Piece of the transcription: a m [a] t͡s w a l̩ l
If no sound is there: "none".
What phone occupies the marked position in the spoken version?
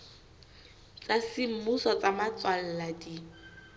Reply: a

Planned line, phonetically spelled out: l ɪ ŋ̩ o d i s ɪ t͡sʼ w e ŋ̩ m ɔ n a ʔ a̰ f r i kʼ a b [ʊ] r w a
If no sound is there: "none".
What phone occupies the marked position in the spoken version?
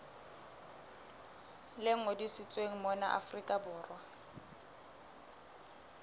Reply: ʊː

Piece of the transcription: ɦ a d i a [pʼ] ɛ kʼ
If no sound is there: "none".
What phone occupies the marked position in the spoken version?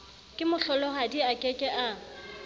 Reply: kʼ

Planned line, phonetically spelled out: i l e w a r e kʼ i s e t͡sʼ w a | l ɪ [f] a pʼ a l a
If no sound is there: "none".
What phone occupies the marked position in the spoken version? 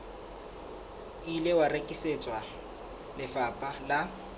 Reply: f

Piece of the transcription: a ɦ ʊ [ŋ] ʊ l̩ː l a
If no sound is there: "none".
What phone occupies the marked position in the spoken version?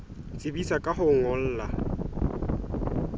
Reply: ŋ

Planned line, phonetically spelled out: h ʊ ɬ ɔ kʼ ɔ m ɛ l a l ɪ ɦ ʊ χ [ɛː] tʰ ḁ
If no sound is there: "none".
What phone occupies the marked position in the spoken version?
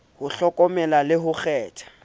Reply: ɛː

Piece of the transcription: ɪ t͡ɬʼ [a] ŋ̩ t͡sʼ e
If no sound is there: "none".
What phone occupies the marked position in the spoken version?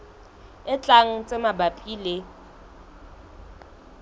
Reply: a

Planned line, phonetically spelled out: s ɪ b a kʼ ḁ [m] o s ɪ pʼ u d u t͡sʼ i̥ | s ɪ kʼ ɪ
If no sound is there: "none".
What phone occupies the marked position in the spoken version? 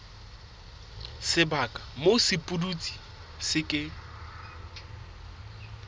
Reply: m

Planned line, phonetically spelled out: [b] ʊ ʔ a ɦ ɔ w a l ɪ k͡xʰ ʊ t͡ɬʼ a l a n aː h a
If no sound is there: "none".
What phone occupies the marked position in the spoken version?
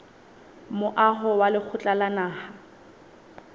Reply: m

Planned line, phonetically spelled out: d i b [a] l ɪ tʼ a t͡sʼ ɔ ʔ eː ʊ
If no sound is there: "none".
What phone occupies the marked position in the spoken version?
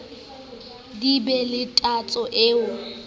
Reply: ɛ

